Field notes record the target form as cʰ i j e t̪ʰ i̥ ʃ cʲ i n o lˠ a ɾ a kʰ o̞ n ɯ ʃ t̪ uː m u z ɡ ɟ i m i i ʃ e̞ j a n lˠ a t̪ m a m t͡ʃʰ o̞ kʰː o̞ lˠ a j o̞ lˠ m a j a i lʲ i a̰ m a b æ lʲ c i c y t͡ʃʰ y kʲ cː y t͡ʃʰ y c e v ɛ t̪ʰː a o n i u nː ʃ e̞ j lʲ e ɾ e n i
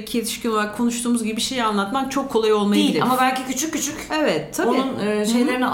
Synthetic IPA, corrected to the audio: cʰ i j e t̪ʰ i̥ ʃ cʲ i n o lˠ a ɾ a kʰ o̞ n u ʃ t̪ uː m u z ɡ ɟ i b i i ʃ e̞ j a n lˠ a t̪ m a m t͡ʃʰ o̞ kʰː o̞ lˠ a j o̞ lˠ m a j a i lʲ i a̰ m a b æ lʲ c i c y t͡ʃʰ y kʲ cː y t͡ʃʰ y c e v ɛ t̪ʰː a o n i u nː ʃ e̞ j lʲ e ɾ i n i